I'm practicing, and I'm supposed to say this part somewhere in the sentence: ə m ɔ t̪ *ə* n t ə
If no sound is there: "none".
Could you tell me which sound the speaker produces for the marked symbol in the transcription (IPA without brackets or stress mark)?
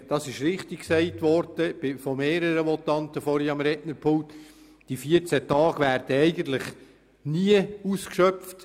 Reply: ɑ